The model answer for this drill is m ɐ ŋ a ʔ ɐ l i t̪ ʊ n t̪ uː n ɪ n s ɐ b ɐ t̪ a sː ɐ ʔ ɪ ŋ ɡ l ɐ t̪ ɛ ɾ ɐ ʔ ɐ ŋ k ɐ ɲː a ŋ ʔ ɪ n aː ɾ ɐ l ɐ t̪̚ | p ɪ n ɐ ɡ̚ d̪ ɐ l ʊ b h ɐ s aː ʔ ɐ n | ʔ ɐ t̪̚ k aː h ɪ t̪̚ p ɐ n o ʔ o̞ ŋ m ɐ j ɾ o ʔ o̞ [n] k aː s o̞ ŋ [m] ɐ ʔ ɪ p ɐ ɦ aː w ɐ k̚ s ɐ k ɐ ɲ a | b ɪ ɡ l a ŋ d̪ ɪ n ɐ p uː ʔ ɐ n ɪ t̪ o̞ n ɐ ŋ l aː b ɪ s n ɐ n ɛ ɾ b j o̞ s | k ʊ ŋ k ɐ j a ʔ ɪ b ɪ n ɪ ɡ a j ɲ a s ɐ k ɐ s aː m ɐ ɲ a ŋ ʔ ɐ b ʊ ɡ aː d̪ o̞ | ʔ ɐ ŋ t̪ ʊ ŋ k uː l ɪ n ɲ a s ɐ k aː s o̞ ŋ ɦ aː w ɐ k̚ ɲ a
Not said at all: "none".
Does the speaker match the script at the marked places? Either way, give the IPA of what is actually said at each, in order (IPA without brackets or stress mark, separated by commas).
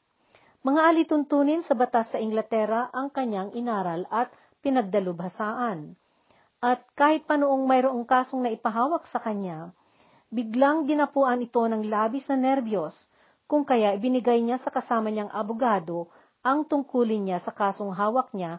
ŋ, n